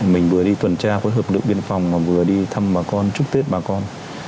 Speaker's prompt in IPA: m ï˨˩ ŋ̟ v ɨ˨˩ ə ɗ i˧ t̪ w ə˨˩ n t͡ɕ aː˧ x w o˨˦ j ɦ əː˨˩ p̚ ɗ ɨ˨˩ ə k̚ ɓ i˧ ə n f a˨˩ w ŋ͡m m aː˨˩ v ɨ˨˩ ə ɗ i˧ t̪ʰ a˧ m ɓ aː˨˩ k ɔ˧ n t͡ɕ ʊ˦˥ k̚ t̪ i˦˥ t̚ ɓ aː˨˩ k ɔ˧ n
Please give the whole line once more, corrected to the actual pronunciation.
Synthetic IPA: m ï˨˩ ŋ̟ v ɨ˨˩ ə ɗ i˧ t̪ w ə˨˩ n t͡ɕ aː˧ x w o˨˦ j ɦ əː˨˩ p̚ ɗ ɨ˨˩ ə k̚ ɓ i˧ ə n f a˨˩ w ŋ͡m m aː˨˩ v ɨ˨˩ ə ɗ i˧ t̪ʰ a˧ m ɓ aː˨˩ k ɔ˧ n t͡ɕ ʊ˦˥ k̚ t̪ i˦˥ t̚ ɓ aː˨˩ k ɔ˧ n